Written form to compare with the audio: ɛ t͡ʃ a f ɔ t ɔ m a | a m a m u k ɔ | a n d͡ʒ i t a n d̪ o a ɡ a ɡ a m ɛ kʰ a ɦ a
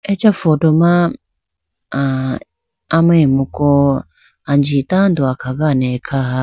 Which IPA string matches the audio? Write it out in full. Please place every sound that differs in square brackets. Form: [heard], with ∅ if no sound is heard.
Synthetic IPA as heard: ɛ t͡ʃ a f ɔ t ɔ m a | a m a m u k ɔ | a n d͡ʒ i t a n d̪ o a [k] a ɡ a [n] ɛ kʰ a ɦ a